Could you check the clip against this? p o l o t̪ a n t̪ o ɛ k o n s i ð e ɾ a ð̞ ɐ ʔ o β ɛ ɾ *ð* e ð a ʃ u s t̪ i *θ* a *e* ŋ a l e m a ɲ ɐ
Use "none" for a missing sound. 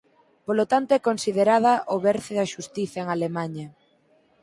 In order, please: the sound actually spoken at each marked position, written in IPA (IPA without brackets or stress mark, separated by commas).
θ, θ, e